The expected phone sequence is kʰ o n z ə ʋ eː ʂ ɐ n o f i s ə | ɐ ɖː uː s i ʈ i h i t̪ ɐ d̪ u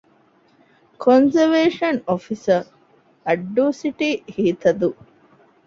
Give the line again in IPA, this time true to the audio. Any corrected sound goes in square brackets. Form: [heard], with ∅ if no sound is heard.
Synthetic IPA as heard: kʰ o n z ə ʋ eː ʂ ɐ n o f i s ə | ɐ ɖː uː s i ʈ i h [iː] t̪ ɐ d̪ u